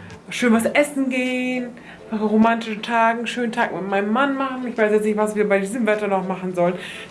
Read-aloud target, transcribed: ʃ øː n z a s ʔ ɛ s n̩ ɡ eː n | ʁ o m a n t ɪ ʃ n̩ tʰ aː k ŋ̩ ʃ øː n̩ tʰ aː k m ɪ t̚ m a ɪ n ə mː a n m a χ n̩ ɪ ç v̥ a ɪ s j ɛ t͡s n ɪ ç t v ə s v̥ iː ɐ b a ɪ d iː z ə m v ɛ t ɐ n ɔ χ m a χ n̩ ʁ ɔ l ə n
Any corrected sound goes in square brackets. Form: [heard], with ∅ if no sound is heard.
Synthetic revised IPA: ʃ øː n [v] a s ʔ ɛ s n̩ ɡ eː n | ʁ o m a n t ɪ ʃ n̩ tʰ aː [ɡ] ŋ̩ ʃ øː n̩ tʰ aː k m ɪ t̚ m a ɪ n ə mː a n m a χ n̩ ɪ ç v̥ a ɪ s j ɛ t͡s n ɪ ç t v [a] s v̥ iː ɐ b a ɪ d iː z ə m v ɛ t ɐ n ɔ χ m a χ n̩ [z] ɔ l ə n